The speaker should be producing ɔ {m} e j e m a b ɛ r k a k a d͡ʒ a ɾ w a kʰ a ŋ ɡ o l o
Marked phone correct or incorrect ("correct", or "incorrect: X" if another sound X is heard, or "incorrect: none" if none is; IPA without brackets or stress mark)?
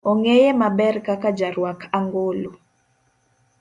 incorrect: ŋ